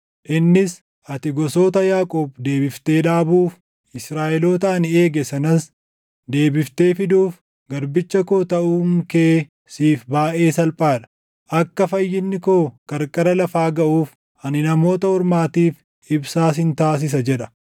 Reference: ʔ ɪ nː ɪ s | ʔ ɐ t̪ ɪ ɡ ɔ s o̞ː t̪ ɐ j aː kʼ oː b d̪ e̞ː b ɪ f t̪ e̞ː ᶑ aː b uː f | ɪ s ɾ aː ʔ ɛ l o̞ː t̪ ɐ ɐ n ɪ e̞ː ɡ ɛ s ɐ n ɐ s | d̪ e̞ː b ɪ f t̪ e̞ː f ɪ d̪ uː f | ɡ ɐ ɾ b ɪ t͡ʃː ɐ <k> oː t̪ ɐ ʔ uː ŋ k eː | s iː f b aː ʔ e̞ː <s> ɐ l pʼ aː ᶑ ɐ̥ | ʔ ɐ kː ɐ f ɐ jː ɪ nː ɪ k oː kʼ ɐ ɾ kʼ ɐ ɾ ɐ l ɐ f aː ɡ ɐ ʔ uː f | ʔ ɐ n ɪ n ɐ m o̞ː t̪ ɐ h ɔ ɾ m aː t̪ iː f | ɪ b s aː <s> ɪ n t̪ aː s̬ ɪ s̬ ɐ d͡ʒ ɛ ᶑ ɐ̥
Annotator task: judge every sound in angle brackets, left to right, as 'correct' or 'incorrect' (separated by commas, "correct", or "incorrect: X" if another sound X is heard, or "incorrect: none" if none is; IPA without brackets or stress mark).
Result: correct, correct, correct